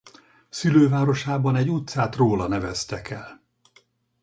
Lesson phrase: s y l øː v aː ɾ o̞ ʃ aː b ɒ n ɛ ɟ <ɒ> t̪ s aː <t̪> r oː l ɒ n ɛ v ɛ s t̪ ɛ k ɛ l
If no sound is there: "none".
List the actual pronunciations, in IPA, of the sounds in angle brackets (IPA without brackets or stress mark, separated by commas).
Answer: u, t̪